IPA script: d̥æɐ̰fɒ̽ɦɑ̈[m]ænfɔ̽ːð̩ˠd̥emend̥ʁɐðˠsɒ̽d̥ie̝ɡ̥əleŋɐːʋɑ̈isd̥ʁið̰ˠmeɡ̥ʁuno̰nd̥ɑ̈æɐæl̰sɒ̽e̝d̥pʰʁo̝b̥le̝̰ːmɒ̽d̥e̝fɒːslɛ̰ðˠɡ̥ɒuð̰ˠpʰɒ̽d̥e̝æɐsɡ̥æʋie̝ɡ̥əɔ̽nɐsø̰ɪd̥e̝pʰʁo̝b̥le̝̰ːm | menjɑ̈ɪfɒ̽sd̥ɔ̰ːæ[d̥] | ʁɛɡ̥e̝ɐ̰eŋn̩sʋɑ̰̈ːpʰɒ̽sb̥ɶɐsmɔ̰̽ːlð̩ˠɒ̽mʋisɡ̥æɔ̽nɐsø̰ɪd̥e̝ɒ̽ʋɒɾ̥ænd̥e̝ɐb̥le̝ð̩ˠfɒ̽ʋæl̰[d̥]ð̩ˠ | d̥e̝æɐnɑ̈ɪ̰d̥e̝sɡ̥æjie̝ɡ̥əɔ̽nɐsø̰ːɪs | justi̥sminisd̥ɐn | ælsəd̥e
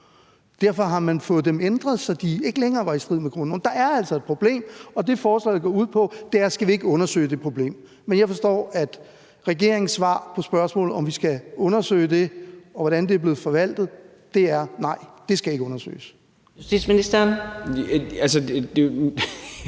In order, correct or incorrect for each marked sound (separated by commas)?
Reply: correct, correct, correct